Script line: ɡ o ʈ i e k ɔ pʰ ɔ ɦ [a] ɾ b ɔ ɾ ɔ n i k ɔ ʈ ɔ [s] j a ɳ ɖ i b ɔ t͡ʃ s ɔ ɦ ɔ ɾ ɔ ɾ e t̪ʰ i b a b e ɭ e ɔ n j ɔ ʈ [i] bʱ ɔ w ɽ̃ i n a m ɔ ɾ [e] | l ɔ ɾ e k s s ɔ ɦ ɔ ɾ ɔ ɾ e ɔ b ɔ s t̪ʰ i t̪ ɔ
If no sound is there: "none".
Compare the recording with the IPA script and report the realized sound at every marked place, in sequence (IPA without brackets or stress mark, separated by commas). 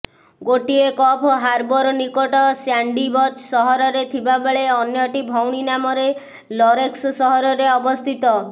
a, s, i, e